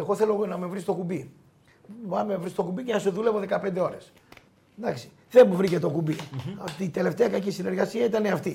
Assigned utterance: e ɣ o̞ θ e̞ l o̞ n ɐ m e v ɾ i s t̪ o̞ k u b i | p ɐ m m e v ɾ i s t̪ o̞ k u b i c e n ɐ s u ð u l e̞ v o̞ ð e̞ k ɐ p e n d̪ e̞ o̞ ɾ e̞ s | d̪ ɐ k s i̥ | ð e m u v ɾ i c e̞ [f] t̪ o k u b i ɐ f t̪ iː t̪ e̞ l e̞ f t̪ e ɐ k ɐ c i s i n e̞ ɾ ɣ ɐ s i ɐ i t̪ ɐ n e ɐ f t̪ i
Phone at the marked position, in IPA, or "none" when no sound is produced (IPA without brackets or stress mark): none